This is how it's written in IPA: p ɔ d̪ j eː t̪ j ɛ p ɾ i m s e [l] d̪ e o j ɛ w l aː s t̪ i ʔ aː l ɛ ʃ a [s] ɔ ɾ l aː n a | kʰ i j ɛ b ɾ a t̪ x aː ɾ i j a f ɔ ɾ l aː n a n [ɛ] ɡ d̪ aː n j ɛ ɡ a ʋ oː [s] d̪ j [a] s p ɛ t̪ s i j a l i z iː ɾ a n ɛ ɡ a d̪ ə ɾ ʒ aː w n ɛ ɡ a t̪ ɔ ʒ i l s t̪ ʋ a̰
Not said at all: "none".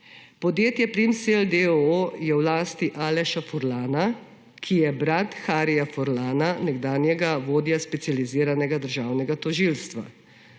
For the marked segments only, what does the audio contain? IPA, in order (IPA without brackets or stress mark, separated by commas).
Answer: l, f, ɛ, none, a